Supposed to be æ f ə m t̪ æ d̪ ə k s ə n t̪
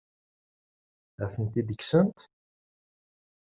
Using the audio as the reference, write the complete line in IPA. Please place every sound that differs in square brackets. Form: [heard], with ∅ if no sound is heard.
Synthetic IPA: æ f ə [n] t̪ [i] d̪ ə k s ə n t̪

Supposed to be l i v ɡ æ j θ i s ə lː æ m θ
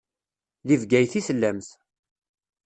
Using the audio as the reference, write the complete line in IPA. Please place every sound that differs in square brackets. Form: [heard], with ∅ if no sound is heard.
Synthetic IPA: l i v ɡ æ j θ i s ə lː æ m θ

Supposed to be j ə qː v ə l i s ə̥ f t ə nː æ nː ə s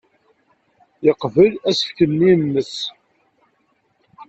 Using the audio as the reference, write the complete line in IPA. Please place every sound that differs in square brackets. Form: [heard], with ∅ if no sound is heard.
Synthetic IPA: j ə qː v ə l [æ] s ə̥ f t ə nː [i] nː ə s

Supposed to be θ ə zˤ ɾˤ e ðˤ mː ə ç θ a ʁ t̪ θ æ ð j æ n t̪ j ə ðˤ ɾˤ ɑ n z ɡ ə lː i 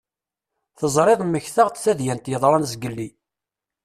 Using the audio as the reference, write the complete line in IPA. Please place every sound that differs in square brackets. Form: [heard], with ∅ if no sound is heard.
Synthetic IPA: θ ə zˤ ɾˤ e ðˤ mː ə ç θ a ʁ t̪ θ æ ð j æ n t̪ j ə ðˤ ɾˤ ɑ n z ɡ ə lː i

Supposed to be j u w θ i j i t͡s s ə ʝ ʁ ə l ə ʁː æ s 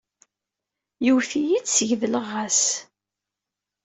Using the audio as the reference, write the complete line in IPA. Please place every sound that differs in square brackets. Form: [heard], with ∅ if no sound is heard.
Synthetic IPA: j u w θ i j i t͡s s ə ʝ [ð] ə l ə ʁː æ s

